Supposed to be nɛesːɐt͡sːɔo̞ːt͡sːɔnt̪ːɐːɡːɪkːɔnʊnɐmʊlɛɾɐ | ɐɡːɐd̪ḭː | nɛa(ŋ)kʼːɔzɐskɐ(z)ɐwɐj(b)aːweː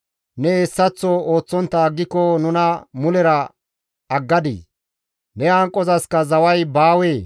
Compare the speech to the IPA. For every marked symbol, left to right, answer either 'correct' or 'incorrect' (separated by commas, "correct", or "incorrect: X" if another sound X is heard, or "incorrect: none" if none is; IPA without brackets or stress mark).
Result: correct, correct, correct